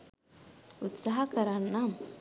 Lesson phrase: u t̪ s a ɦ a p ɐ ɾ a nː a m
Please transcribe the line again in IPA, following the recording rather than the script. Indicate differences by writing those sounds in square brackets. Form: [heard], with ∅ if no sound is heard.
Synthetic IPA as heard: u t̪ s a ɦ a [k] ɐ ɾ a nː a m